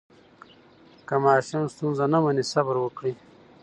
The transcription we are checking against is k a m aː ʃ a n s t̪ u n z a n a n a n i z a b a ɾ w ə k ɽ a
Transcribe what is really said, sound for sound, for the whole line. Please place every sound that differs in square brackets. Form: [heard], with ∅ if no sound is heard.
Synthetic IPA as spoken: k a m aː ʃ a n s t̪ u n z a n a [m] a n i [s] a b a ɾ w ə k ɽ [i]

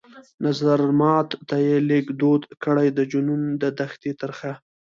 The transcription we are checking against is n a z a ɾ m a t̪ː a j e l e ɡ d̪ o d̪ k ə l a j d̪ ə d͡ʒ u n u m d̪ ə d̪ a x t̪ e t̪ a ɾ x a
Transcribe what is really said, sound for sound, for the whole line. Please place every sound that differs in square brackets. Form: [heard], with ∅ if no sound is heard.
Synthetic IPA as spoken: n a z a ɾ m [ɑ] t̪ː a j e l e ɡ d̪ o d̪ k ə [ɽ] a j d̪ ə d͡ʒ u n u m d̪ ə d̪ a x t̪ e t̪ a ɾ x a

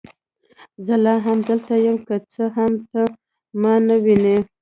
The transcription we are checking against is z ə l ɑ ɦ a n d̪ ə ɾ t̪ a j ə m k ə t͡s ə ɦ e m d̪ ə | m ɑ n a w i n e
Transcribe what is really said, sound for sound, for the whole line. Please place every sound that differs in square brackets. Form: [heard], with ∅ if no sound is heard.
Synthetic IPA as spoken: z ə l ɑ ɦ a [m] d̪ ə [l] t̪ a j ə m k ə t͡s ə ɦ [a] m [t̪] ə | m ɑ n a w i n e

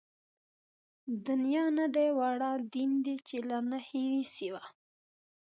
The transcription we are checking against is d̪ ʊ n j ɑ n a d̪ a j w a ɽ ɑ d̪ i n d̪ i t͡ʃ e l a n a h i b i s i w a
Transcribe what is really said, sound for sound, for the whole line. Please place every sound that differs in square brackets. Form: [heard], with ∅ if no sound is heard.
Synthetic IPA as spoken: d̪ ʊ n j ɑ n a d̪ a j w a ɽ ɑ d̪ i n d̪ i t͡ʃ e l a n a h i [w] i s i w a

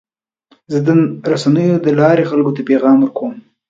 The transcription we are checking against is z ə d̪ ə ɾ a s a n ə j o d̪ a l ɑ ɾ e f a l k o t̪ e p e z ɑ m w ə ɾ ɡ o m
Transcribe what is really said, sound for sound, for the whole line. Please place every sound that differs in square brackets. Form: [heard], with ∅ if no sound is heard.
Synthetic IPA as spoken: z ə d̪ ə ɾ a s a n ə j o d̪ [ə] l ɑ ɾ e [x] a l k o t̪ [a] p e [ɣ] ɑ m w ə ɾ [k] o m

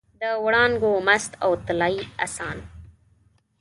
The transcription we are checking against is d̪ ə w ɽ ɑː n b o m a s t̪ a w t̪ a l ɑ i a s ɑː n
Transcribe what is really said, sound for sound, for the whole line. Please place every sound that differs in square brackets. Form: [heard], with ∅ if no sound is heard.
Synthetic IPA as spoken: d̪ ə w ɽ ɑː n [ɡ] o m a s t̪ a w t̪ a l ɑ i a s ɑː n

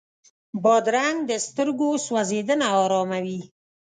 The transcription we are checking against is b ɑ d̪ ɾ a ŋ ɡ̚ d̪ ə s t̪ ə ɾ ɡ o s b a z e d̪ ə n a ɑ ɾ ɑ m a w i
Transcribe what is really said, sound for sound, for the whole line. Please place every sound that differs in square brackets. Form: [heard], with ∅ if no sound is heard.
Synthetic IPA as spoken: b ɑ d̪ ɾ a ŋ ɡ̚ d̪ ə s t̪ ə ɾ ɡ o s [w] a z e d̪ ə n a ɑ ɾ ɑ m a w i

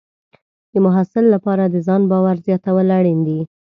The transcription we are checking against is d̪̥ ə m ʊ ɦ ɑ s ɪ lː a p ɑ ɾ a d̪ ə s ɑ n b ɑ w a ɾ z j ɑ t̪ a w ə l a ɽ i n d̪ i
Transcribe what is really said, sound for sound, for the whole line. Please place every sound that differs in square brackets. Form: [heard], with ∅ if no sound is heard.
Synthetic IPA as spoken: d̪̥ ə m ʊ ɦ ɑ s ɪ lː a p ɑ ɾ a d̪ ə [z] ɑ n b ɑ w a ɾ z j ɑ t̪ a w ə l a ɽ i n d̪ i

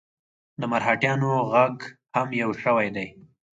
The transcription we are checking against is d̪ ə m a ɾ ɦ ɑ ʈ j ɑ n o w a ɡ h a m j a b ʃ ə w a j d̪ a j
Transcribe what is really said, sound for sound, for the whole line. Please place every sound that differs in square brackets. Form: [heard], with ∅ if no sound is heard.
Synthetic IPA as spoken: d̪ ə m a ɾ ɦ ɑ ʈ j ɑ n o [ɣ] a ɡ h a m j a [w] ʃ ə w a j d̪ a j

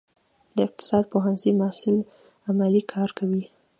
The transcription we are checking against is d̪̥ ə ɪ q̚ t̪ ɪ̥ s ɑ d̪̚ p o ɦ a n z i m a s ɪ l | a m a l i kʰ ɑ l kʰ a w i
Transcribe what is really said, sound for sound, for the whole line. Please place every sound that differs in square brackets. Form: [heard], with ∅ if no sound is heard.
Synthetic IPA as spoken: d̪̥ ə ɪ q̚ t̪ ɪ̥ s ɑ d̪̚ p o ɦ a n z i m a s ɪ l | a m a l i kʰ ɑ [ɾ] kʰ a w i

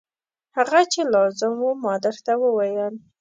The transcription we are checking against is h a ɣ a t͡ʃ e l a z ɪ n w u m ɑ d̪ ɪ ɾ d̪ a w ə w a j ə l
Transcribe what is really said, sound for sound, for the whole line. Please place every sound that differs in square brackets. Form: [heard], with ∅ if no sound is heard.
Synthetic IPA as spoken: h a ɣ a t͡ʃ e l [ɑ] z ɪ [m] w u m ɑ d̪ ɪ ɾ [t̪] a w ə w a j ə l

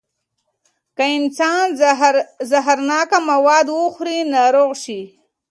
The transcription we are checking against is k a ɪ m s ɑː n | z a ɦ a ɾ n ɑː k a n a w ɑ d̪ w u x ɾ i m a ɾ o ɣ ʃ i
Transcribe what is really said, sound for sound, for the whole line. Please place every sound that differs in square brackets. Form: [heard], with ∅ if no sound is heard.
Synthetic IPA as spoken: k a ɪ [n] s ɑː n | z a ɦ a ɾ n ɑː k a [m] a w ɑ d̪ w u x ɾ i [n] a ɾ o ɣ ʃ i

